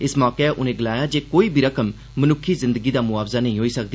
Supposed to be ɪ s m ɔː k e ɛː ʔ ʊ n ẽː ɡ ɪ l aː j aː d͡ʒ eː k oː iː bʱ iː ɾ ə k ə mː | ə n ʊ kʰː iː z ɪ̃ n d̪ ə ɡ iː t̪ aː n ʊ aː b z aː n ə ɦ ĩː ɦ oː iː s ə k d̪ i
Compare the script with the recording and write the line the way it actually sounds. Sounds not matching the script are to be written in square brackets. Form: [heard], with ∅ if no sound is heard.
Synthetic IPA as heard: ɪ s m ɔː k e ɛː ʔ ʊ n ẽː ɡ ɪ l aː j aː d͡ʒ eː k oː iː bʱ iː ɾ ə k ə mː | ə n ʊ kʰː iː z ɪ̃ n d̪ ə ɡ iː [d̪] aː [m] ʊ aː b z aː n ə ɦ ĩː ɦ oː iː s ə k d̪ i

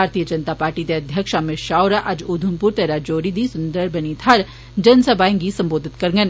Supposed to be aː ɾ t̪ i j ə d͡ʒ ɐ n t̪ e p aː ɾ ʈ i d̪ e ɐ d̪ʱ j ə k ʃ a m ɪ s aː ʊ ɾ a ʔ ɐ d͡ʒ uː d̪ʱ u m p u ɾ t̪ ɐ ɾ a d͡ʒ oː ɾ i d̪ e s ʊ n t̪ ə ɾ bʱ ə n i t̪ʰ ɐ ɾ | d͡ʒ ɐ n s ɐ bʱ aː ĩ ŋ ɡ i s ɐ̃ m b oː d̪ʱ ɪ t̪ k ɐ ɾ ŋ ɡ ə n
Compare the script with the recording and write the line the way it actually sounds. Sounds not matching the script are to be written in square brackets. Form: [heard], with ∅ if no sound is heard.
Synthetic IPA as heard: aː ɾ t̪ i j ə d͡ʒ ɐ n t̪ [a] p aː ɾ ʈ i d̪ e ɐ d̪ʱ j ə k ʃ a m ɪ [ʃ] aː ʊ ɾ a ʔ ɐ d͡ʒ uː d̪ʱ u m p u ɾ t̪ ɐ ɾ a d͡ʒ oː ɾ i d̪ [i] s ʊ n [d̪] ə ɾ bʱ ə n i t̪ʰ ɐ ɾ | d͡ʒ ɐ n s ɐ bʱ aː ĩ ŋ ɡ i s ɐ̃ m b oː d̪ʱ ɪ t̪ k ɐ ɾ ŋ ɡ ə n

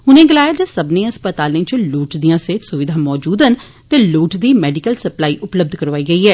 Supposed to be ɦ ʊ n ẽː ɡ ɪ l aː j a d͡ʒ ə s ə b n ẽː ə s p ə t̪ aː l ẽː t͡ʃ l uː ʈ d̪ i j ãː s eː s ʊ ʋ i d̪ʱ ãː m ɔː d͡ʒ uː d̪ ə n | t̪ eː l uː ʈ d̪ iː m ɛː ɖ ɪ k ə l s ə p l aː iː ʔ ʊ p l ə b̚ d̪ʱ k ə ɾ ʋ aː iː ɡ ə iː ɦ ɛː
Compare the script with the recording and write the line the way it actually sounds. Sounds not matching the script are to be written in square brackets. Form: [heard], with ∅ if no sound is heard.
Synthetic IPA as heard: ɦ ʊ n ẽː ɡ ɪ l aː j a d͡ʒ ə s ə b n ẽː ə s p ə t̪ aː l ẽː t͡ʃ l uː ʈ d̪ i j ãː s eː s ʊ ʋ [ɪ] d̪ʱ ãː m ɔː d͡ʒ uː d̪ ə n | t̪ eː l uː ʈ d̪ iː m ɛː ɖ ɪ k ə l s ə p l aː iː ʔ ʊ p l ə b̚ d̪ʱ k ə ɾ ʋ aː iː ɡ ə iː ɦ ɛː

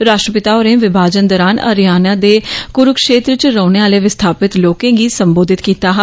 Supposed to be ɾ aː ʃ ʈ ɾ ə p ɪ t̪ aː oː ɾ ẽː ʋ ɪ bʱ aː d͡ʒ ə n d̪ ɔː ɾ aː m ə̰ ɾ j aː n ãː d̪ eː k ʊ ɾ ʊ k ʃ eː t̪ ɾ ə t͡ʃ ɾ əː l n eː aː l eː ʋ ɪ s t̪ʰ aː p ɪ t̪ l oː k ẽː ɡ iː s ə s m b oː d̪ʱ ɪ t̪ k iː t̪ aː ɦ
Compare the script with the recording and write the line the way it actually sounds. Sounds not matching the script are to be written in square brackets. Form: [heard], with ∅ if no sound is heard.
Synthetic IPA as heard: ɾ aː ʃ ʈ ɾ ə p ɪ t̪ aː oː ɾ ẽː ʋ ɪ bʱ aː d͡ʒ ə n d̪ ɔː ɾ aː [n] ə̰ ɾ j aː n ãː d̪ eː k ʊ ɾ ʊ k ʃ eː t̪ ɾ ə t͡ʃ ɾ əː [∅] n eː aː l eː ʋ ɪ s t̪ʰ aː p ɪ t̪ l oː k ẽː ɡ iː s ə [∅] m b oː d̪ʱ ɪ t̪ k iː t̪ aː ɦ

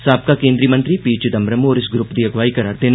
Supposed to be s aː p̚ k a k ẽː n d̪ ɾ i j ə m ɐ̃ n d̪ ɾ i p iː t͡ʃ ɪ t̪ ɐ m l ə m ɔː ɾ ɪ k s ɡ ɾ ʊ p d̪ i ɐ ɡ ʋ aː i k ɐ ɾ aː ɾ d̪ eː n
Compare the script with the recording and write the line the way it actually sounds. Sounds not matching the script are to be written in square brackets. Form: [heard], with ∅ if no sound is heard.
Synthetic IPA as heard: s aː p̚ k a k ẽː n d̪ ɾ i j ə m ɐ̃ n [t̪] ɾ i p iː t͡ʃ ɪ [d̪] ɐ m [ɾ] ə m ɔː ɾ ɪ [∅] s ɡ ɾ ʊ p d̪ i ɐ ɡ ʋ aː i k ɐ ɾ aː ɾ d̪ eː n

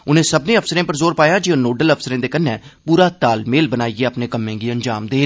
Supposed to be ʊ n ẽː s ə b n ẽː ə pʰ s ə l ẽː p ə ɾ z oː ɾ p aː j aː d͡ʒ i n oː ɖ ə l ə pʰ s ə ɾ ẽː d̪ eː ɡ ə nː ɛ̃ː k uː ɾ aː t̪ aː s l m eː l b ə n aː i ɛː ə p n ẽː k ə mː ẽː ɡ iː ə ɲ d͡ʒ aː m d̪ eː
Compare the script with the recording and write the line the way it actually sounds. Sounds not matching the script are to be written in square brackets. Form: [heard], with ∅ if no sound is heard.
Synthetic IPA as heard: ʊ n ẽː s ə b n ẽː ə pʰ s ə [ɾ] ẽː p ə ɾ z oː ɾ p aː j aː d͡ʒ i n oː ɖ ə l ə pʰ s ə ɾ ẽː d̪ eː [k] ə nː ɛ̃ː [p] uː ɾ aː t̪ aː [∅] l m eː l b ə n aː i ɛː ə p n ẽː k ə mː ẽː ɡ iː ə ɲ d͡ʒ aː m d̪ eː

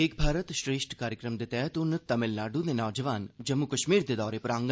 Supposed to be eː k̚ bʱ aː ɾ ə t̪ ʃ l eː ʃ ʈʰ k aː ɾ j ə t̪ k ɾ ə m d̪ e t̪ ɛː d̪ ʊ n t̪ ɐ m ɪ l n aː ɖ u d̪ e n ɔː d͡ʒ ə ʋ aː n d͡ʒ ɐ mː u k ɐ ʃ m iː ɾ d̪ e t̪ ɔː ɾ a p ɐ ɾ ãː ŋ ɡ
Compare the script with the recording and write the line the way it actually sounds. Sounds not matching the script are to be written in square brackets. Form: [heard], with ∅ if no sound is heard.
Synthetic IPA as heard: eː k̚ bʱ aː ɾ ə t̪ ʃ [ɾ] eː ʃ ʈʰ k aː ɾ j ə [∅] k ɾ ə m d̪ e t̪ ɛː [t̪] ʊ n t̪ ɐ m ɪ l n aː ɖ u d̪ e n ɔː d͡ʒ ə ʋ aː n d͡ʒ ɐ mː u k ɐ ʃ m iː ɾ d̪ e [d̪] ɔː ɾ [e] p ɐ ɾ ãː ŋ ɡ

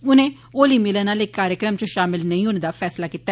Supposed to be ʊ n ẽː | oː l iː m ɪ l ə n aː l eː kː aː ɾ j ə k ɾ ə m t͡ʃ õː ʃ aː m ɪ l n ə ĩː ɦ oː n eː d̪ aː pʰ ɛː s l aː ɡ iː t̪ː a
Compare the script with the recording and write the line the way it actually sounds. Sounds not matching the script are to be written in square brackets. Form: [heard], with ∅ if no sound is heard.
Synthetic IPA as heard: ʊ n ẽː | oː l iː m ɪ l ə n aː l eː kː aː ɾ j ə k ɾ ə m t͡ʃ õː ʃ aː m ɪ l n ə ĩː ɦ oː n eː d̪ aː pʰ ɛː s l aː [k] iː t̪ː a

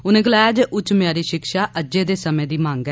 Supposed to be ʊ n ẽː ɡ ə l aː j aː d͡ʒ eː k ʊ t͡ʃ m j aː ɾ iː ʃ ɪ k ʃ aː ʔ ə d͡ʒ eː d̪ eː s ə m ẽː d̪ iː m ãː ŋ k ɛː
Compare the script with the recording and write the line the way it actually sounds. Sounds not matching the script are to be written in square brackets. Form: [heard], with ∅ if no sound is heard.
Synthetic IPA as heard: ʊ n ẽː ɡ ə l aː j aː d͡ʒ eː [ʔ] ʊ t͡ʃ m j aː ɾ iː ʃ ɪ k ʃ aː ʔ ə d͡ʒ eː d̪ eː s ə m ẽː d̪ iː m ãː ŋ [ɡ] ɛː

